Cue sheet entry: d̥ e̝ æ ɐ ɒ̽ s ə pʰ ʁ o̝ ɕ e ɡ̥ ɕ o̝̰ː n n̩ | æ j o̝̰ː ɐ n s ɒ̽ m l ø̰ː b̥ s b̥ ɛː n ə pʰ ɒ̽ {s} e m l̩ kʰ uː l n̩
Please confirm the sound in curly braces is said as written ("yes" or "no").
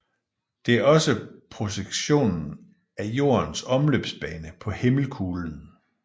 no